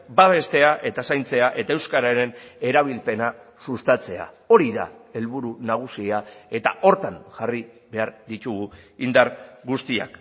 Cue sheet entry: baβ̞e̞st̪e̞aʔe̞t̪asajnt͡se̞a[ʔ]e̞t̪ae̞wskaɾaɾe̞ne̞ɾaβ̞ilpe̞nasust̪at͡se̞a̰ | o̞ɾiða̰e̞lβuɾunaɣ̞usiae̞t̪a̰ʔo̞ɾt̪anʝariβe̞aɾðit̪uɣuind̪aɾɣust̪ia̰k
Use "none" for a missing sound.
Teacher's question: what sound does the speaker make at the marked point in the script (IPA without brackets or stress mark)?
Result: ʔ